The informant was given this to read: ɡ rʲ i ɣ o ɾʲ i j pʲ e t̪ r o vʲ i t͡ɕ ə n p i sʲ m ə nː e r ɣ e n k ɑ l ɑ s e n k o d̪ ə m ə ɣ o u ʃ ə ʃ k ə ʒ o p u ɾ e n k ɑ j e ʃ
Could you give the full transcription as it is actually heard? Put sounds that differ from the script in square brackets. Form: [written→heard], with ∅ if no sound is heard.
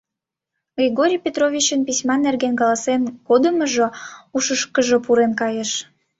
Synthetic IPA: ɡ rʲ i ɣ o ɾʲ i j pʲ e t̪ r o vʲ i t͡ɕ ə n p i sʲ m [ə→ɑ] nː e r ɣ e n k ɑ l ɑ s e n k o d̪ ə m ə [ɣ→ʒ] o u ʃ ə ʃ k ə ʒ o p u ɾ e n k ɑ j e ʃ